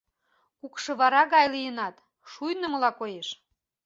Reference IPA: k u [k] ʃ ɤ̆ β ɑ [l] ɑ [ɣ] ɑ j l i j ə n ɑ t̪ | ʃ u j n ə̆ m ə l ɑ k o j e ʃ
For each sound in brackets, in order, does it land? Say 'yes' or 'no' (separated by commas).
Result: yes, no, yes